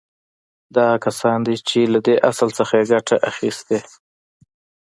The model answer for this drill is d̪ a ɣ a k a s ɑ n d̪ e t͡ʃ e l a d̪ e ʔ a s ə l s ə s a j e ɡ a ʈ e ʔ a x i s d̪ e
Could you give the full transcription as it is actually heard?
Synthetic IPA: d̪ ɑ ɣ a k a s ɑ n d̪ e t͡ʃ e l a d̪ e ʔ a s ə l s ə x a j e ɡ a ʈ a ʔ a x i s t̪ e